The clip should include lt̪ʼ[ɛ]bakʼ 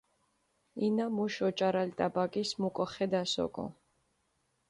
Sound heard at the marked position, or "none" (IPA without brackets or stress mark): a